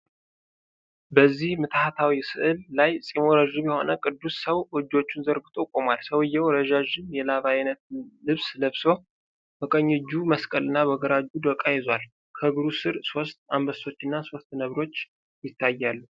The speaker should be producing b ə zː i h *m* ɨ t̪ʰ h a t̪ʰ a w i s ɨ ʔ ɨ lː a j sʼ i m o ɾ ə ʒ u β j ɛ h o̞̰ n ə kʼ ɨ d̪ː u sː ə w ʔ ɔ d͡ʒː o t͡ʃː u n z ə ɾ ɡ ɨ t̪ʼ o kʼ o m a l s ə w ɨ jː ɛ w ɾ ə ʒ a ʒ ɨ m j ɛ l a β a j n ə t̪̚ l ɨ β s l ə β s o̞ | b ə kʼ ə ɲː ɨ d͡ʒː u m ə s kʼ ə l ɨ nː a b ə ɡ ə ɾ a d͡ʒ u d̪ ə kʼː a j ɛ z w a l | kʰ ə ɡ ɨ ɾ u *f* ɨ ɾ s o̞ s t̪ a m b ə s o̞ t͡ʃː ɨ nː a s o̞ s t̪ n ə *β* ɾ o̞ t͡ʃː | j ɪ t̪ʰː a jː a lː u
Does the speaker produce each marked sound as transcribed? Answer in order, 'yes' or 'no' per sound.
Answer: yes, no, yes

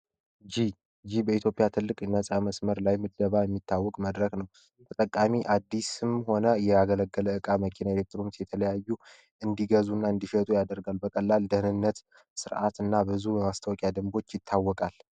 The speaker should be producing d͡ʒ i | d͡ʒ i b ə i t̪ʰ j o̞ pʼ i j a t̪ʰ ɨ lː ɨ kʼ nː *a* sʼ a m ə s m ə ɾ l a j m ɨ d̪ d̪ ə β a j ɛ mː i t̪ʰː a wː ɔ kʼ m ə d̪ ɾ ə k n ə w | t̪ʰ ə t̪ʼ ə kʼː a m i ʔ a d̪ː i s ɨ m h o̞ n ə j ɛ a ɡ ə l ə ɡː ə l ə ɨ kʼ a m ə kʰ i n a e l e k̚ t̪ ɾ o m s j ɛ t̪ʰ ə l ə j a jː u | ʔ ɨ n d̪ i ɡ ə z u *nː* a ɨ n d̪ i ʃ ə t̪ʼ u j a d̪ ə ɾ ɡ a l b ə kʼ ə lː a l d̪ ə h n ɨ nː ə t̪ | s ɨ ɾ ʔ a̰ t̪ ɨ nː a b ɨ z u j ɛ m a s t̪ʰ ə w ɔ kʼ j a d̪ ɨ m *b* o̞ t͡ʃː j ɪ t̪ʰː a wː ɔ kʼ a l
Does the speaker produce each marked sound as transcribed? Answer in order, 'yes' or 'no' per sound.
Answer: no, yes, yes

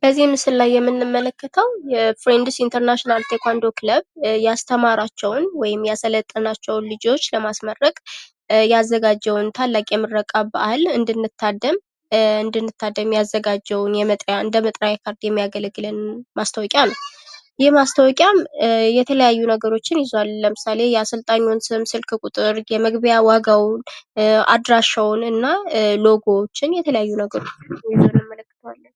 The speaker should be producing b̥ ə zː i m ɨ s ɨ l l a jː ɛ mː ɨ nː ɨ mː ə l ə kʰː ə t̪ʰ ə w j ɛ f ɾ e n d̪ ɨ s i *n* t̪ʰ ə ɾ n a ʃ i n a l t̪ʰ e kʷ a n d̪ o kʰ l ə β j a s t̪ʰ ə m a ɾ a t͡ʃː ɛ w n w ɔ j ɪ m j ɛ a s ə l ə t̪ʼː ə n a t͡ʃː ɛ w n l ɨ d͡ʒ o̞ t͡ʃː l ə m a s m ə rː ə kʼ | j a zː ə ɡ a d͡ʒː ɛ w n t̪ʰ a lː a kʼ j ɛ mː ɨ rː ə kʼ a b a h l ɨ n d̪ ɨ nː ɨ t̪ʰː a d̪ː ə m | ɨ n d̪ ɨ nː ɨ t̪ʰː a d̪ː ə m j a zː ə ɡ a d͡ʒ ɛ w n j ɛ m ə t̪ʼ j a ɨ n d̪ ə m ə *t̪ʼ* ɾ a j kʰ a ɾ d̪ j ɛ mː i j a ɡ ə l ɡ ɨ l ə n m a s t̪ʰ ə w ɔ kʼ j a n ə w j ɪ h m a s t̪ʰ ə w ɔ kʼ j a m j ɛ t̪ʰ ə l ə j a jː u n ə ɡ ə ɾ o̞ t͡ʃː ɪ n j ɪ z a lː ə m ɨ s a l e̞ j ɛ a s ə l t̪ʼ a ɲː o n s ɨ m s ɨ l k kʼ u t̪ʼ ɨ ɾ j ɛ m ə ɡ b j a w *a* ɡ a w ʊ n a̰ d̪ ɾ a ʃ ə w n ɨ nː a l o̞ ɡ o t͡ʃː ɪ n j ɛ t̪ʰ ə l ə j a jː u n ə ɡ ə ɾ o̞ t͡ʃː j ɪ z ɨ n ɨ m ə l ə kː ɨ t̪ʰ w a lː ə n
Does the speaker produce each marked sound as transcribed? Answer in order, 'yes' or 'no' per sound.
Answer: yes, yes, yes

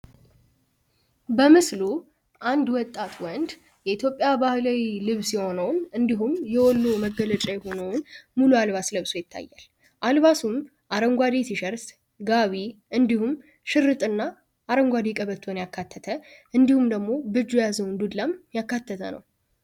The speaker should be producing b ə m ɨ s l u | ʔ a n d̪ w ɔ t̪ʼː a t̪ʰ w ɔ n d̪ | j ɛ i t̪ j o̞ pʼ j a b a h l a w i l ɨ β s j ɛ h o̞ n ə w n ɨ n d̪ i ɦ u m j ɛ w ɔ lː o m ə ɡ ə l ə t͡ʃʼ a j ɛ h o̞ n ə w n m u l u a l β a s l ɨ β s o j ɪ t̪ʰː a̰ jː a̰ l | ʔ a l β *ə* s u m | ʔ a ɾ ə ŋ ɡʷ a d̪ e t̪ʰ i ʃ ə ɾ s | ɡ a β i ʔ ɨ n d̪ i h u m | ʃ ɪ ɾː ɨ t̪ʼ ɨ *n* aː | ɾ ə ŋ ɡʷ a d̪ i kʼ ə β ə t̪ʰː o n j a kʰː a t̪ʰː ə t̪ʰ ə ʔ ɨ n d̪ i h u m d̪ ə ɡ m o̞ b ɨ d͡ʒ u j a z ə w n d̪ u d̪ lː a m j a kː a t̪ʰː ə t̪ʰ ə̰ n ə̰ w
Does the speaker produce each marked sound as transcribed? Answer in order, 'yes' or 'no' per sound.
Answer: no, no

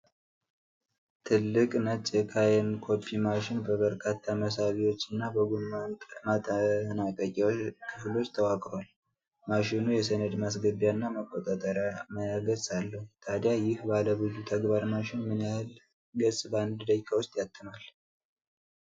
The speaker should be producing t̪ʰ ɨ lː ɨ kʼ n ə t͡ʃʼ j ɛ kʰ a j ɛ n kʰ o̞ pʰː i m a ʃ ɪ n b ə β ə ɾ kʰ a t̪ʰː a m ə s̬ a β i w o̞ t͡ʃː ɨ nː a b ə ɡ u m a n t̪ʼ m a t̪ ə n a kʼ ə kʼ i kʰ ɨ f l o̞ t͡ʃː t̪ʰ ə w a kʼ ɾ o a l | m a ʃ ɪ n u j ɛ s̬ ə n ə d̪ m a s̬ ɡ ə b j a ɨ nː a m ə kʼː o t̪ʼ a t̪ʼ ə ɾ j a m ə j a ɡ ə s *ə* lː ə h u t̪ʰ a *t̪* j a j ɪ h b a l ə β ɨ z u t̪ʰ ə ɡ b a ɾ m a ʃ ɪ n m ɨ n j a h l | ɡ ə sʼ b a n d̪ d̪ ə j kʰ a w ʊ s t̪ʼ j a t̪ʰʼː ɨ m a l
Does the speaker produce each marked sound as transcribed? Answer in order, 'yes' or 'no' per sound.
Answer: no, no

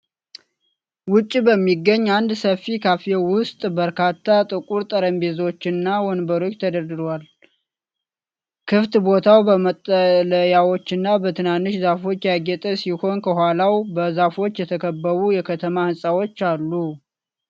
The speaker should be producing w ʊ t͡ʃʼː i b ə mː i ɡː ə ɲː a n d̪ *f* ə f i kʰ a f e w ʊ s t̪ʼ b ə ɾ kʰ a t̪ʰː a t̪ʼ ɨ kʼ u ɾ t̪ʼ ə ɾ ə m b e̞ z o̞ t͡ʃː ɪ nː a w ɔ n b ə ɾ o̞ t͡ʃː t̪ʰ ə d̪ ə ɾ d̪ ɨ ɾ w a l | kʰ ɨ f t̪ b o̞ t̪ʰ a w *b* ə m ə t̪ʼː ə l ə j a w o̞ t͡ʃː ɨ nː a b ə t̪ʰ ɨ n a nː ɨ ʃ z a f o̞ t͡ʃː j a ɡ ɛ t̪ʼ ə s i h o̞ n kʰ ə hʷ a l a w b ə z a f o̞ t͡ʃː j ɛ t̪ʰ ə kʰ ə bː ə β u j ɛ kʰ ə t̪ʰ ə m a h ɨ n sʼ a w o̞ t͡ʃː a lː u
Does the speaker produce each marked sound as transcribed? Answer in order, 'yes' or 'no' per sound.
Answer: no, yes

